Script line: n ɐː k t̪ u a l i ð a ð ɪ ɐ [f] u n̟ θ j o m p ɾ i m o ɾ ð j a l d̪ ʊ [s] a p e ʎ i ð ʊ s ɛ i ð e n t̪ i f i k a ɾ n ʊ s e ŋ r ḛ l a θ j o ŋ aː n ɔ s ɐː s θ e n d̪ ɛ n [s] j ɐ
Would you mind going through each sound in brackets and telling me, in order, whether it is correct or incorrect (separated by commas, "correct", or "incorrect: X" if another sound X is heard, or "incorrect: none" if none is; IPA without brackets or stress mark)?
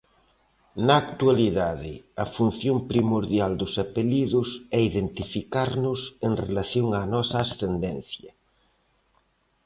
correct, correct, incorrect: θ